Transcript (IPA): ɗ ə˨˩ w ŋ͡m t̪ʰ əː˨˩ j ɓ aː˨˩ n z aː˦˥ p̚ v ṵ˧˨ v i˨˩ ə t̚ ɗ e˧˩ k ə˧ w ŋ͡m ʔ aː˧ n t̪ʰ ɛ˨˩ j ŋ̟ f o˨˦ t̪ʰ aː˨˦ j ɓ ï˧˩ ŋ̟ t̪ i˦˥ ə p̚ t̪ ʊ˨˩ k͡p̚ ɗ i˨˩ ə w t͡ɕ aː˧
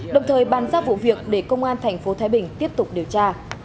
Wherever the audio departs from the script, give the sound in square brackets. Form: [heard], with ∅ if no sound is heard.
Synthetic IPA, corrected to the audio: ɗ ə˨˩ w ŋ͡m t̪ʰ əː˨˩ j ɓ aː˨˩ n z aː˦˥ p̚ v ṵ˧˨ v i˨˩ ə [k̚] ɗ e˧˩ k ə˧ w ŋ͡m ʔ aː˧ n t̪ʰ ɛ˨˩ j ŋ̟ f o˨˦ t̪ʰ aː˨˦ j ɓ ï˧˩ ŋ̟ t̪ i˦˥ ə p̚ t̪ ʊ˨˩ k͡p̚ ɗ i˨˩ ə w t͡ɕ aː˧

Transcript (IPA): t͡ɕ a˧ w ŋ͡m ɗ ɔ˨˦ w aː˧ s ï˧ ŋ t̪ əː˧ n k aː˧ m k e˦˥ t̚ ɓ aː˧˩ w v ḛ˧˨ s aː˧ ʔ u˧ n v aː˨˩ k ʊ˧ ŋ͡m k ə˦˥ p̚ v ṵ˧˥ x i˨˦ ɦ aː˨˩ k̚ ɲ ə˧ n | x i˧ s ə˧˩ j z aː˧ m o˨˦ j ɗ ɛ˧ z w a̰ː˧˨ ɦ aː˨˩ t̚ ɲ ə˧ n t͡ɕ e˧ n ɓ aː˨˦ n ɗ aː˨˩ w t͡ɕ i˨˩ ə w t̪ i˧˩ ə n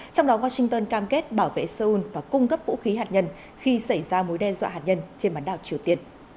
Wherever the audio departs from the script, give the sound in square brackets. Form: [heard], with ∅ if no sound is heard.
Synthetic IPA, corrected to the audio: t͡ɕ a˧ w ŋ͡m ɗ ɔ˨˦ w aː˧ s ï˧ ŋ t̪ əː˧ n k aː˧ m k e˦˥ t̚ ɓ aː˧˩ w v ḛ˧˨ s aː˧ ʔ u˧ n v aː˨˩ k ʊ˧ ŋ͡m k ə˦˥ p̚ v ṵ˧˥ x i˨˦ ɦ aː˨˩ [t̚] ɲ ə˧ n | x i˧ s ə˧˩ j z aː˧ m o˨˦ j ɗ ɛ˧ z w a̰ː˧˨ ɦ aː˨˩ t̚ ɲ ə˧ n t͡ɕ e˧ n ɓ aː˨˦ n ɗ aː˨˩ w t͡ɕ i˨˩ ə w t̪ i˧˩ ə n

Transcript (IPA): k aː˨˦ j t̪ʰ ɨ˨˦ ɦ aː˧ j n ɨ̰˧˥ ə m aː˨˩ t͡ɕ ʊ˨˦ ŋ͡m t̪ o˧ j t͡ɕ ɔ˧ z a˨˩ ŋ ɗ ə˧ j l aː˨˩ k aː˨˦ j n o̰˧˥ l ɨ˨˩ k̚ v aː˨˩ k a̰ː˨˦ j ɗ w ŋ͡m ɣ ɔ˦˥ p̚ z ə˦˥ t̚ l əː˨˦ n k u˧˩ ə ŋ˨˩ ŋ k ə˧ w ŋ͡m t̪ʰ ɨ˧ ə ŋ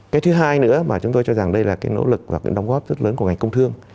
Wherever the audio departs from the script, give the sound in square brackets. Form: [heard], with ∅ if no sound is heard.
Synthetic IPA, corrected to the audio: k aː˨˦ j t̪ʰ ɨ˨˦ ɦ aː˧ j n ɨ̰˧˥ ə m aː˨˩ t͡ɕ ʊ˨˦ ŋ͡m t̪ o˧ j t͡ɕ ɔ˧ z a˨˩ ŋ ɗ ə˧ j l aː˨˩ k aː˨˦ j n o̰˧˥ l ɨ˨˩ k̚ v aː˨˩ k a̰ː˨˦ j ɗ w ŋ͡m ɣ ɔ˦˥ p̚ z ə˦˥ t̚ l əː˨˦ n k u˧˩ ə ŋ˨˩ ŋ k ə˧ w ŋ͡m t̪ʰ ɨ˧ ə ŋ

